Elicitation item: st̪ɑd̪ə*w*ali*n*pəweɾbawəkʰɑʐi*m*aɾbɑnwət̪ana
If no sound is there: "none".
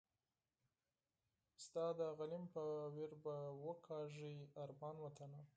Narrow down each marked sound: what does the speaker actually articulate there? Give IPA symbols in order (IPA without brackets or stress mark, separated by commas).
ɣ, m, none